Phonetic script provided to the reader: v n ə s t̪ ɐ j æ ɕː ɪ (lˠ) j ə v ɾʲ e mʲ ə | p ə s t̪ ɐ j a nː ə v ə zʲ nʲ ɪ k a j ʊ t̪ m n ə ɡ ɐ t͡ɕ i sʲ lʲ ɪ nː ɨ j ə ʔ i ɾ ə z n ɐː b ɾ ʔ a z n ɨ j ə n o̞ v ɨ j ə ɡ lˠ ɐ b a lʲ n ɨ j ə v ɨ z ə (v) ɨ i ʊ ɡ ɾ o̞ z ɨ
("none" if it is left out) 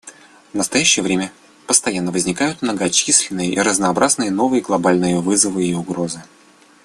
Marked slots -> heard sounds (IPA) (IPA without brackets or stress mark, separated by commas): none, v